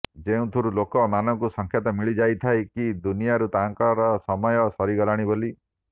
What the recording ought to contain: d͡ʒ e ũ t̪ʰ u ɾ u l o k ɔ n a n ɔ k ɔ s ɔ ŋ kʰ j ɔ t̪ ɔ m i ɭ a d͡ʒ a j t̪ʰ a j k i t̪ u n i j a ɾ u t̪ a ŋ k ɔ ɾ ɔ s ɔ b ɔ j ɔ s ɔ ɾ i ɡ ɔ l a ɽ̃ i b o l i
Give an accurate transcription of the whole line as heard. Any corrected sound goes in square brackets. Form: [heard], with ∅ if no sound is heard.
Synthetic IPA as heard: d͡ʒ e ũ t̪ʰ u ɾ u l o k ɔ [m] a n ɔ k [u] s ɔ ŋ kʰ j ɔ t̪ ɔ m i ɭ [i] d͡ʒ a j t̪ʰ a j k i [d̪] u n i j a ɾ u t̪ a ŋ k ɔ ɾ ɔ s ɔ [m] ɔ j ɔ s ɔ ɾ i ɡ ɔ l a ɽ̃ i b o l i

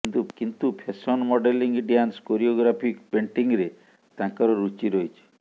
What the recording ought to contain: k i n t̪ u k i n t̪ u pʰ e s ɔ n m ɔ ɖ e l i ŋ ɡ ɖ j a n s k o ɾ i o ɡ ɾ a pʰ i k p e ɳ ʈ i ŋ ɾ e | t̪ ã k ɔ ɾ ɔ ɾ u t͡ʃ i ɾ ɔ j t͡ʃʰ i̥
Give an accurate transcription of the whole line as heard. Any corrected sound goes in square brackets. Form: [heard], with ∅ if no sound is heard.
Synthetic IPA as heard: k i n t̪ u k i n t̪ u pʰ e s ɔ n m ɔ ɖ e l i ŋ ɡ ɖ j a n s k o ɾ i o ɡ ɾ a pʰ i k p e ɳ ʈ i ŋ ɾ e | t̪ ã k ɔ ɾ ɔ ɾ u t͡ʃ i ɾ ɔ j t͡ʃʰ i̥

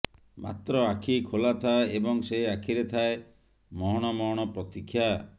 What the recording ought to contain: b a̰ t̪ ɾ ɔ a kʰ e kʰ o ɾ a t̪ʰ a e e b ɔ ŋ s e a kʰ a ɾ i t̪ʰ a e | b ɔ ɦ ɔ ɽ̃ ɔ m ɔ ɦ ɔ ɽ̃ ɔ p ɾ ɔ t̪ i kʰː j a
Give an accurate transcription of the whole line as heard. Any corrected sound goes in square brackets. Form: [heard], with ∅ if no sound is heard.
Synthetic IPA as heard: [m] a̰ t̪ ɾ ɔ a kʰ [i] kʰ o [l] a t̪ʰ a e e b ɔ ŋ s e a kʰ [i] ɾ [e] t̪ʰ a e | [m] ɔ ɦ ɔ ɽ̃ ɔ m ɔ ɦ ɔ ɽ̃ ɔ p ɾ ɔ t̪ i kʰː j a

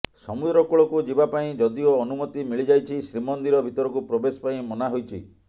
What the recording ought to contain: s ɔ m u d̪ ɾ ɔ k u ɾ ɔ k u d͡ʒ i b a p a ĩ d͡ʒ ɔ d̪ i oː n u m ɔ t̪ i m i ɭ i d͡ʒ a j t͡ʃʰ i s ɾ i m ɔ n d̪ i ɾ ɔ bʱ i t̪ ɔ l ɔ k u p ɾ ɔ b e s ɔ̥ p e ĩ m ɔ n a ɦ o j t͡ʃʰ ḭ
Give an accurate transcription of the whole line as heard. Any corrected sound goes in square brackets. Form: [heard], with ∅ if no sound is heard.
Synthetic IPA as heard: s ɔ m u d̪ ɾ ɔ k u [ɭ] ɔ k u d͡ʒ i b a p a ĩ d͡ʒ ɔ d̪ i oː n u m ɔ t̪ i m i ɭ i d͡ʒ a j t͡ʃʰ i s ɾ i m ɔ n d̪ i ɾ ɔ bʱ i t̪ ɔ [ɾ] ɔ k u p ɾ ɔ b e s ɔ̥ p [a] ĩ m ɔ n a ɦ o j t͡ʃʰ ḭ

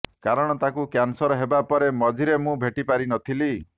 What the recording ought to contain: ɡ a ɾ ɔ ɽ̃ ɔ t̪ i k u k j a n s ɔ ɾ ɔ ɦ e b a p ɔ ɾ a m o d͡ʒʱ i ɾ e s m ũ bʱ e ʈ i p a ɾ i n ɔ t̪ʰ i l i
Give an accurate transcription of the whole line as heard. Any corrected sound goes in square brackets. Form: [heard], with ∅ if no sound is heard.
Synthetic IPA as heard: [k] a ɾ ɔ ɽ̃ ɔ t̪ [a] k u k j a n s ɔ ɾ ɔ ɦ e b a p ɔ ɾ [e] m [ɔ] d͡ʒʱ i ɾ e [∅] m ũ bʱ e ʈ i p a ɾ i n ɔ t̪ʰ i l i

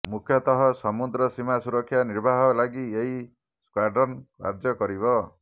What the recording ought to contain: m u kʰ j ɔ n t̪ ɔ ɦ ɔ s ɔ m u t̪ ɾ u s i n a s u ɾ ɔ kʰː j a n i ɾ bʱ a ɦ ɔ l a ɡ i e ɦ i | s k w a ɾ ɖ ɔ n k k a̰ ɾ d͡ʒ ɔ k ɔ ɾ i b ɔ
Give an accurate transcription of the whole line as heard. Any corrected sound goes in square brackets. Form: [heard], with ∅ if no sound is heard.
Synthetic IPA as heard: m u kʰ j ɔ [∅] t̪ ɔ ɦ ɔ s ɔ m u [d̪] ɾ [ɔ] s i [m] a s u ɾ ɔ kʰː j a n i ɾ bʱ a ɦ ɔ l a ɡ i e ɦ i | s k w a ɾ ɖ ɔ n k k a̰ ɾ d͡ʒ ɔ k ɔ ɾ i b ɔ

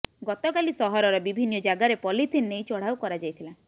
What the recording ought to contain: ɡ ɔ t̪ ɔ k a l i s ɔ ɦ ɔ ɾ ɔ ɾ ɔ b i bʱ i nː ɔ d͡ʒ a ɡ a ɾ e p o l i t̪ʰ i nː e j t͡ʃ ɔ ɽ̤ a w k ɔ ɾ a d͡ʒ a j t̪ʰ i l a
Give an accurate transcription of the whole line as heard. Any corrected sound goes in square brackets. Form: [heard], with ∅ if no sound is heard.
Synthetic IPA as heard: ɡ ɔ t̪ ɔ k a l i s ɔ ɦ ɔ ɾ ɔ ɾ ɔ b i bʱ i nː ɔ d͡ʒ a ɡ a ɾ e p [ɔ] l i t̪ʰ i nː e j t͡ʃ ɔ ɽ̤ a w k ɔ ɾ a d͡ʒ a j t̪ʰ i l a

